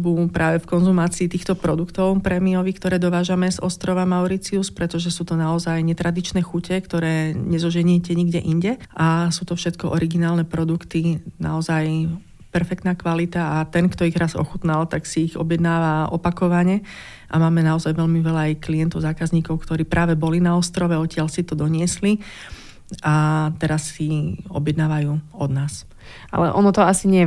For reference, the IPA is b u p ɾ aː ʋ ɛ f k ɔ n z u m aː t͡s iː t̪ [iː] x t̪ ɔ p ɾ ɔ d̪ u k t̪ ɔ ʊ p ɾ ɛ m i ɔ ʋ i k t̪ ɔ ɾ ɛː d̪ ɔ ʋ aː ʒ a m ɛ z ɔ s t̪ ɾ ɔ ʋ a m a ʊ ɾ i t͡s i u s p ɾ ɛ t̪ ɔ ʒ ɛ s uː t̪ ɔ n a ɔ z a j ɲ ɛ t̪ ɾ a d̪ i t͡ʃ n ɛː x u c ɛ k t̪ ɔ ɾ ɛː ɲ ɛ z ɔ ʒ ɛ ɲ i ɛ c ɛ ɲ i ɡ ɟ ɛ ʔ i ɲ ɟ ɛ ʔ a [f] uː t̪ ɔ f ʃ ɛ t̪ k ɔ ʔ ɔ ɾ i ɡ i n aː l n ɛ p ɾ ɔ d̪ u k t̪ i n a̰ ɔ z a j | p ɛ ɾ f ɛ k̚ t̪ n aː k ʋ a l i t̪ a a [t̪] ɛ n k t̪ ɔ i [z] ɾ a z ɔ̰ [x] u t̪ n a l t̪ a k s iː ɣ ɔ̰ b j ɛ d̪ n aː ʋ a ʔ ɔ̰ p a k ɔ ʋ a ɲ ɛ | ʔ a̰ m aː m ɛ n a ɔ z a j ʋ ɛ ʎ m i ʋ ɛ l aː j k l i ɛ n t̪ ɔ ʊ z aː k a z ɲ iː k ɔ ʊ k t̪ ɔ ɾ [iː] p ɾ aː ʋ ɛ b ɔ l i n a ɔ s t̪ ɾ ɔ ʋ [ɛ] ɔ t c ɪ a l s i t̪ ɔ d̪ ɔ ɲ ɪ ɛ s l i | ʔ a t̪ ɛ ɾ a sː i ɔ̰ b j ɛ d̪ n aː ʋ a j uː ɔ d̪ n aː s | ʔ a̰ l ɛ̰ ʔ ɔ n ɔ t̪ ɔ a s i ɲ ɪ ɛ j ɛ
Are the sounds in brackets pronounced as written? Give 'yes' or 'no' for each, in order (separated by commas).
yes, no, yes, no, yes, yes, yes